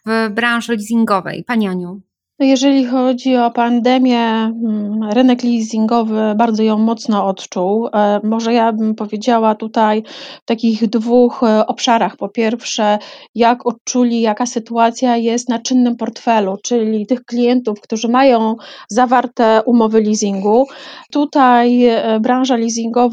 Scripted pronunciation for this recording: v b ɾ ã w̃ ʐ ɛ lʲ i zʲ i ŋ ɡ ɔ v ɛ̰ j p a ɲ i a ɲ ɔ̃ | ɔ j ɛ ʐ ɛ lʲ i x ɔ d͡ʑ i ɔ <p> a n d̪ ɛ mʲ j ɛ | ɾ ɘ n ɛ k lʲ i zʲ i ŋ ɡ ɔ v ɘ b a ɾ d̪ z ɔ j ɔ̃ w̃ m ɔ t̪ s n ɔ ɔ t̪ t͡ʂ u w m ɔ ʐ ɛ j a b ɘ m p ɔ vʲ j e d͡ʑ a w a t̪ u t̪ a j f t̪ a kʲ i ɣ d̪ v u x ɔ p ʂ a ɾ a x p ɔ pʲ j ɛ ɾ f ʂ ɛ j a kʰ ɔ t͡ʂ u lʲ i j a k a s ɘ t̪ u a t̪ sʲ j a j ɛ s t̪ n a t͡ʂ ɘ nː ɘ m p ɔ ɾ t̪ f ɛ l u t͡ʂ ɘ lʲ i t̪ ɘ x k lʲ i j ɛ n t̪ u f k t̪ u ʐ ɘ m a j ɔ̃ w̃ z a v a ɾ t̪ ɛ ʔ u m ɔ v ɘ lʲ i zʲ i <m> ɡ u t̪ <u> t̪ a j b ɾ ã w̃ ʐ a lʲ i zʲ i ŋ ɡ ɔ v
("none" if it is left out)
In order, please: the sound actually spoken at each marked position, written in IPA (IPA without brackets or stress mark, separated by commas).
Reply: p, ŋ, u